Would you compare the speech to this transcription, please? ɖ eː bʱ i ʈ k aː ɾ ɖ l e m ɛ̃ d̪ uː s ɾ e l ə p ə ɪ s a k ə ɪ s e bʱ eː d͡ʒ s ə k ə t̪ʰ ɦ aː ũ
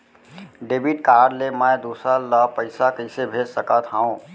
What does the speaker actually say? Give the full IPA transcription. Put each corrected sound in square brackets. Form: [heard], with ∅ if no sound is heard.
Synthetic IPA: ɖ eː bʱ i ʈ k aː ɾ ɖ l e m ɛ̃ d̪ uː s ɾ [a] l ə p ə ɪ s a k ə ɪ s e bʱ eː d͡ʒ s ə k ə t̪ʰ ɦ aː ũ